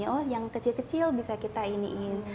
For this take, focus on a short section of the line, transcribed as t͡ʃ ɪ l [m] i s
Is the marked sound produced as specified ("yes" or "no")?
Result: no